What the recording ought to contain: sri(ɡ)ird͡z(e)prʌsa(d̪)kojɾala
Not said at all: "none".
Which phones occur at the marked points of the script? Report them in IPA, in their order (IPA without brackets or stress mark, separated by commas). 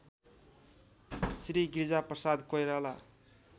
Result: ɡ, a, d̪